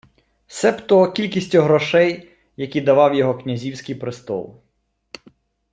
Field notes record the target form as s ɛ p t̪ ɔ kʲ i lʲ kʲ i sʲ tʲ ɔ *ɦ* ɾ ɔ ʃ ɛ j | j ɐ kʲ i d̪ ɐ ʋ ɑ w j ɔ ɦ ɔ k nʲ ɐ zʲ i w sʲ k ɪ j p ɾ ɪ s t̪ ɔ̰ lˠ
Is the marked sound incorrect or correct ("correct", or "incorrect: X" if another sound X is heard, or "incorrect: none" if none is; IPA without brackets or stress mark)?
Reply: correct